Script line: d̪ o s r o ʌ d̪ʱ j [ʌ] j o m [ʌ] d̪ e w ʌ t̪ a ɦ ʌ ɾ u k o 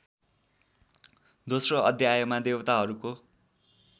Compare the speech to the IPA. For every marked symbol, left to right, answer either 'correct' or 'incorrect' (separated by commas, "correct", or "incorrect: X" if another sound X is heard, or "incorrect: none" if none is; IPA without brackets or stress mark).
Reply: incorrect: a, incorrect: a